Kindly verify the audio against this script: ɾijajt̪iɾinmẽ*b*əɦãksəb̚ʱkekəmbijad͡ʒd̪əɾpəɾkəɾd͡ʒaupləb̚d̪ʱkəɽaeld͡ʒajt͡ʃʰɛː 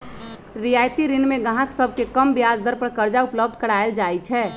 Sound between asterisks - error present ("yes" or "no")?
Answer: yes